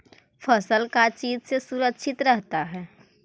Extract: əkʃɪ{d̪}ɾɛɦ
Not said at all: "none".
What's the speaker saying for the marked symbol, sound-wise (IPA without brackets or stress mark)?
t̪